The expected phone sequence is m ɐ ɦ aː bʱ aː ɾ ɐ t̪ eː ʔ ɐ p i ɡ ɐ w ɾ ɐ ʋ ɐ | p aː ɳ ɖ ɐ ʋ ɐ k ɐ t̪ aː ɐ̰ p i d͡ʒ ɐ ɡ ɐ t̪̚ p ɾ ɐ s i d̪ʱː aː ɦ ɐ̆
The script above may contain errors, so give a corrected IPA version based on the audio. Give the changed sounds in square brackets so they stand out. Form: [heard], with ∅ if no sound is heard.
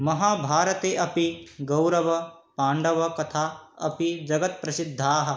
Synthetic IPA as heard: m ɐ ɦ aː bʱ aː ɾ ɐ t̪ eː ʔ ɐ p i ɡ ɐ w ɾ ɐ ʋ ɐ | p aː ɳ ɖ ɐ ʋ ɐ k ɐ [t̪ʰ] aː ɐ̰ p i d͡ʒ ɐ ɡ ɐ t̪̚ p ɾ ɐ s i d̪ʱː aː ɦ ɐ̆